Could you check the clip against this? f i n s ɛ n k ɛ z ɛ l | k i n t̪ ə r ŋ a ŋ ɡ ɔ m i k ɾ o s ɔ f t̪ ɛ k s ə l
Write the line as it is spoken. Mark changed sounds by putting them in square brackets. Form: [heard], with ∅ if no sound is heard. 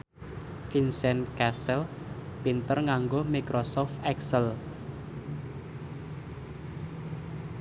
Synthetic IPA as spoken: f i n s ɛ n k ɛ [s] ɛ l | [p] i n t̪ ə r ŋ a ŋ ɡ [o] m i k ɾ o s ɔ f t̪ ɛ k s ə l